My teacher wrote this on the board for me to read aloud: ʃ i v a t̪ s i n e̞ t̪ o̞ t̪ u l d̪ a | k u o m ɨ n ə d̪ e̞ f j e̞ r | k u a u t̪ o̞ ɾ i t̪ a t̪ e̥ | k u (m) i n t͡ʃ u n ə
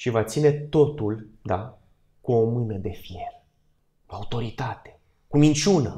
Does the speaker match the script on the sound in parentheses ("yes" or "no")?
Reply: yes